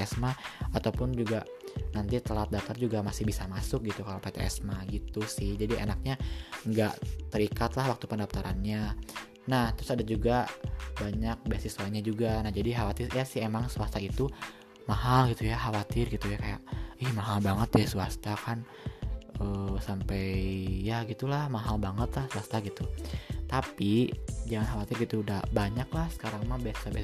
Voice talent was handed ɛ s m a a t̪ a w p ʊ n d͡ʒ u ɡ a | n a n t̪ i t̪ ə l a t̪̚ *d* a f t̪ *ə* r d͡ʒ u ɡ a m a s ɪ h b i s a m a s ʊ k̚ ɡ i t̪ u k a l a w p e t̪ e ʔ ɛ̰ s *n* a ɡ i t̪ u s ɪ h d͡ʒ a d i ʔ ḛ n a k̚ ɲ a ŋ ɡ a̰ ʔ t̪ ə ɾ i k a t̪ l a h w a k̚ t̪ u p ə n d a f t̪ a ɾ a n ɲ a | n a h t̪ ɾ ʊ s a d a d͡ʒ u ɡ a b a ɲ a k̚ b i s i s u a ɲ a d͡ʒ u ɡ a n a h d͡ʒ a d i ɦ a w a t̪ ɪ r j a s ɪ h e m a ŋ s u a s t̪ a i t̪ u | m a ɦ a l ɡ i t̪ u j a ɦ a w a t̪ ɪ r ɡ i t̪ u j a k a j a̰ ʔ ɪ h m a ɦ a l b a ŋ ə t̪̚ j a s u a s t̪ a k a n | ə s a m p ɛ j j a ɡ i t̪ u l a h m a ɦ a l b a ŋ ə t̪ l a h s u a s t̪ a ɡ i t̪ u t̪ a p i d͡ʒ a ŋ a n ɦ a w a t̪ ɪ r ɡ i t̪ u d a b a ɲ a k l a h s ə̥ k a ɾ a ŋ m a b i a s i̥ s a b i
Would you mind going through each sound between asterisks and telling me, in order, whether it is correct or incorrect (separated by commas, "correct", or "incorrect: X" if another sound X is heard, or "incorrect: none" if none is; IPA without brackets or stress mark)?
correct, incorrect: a, incorrect: m